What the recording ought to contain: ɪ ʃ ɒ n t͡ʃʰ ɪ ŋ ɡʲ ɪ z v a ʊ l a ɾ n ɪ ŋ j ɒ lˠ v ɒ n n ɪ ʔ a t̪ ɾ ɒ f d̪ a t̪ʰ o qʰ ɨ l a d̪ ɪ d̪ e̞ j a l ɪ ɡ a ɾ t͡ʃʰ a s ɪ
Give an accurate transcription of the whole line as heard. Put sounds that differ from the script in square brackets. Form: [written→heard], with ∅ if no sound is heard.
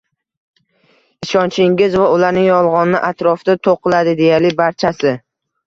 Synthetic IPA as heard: ɪ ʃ ɒ n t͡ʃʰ ɪ ŋ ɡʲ ɪ z v a ʊ l a ɾ n ɪ ŋ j ɒ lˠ [v→ʁ] ɒ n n ɪ ʔ a t̪ ɾ ɒ f d̪ a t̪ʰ o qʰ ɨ l a d̪ ɪ d̪ e̞ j a l ɪ [ɡ→b] a ɾ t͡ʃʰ a s ɪ